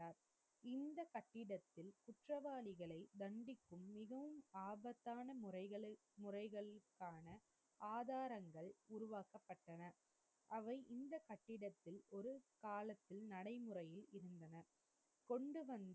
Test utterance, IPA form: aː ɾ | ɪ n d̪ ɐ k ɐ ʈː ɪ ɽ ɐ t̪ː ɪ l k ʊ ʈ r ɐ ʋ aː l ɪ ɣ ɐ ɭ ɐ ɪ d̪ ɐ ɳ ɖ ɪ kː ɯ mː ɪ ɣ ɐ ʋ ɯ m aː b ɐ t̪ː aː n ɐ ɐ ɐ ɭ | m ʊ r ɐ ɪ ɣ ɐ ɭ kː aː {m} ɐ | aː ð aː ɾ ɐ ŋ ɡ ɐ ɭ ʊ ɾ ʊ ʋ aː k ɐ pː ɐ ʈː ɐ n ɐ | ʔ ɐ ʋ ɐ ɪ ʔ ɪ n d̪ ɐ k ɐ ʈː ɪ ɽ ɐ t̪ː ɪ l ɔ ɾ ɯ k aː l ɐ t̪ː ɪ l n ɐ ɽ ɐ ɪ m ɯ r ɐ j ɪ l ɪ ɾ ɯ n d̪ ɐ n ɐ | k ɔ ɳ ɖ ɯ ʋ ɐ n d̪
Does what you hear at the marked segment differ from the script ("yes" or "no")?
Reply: yes